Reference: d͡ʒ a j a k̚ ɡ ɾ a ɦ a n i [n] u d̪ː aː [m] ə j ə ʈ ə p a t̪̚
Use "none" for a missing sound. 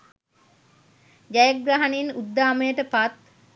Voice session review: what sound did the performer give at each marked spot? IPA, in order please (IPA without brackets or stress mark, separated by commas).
n, m